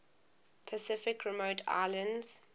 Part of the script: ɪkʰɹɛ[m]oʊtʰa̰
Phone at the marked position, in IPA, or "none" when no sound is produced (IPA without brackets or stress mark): m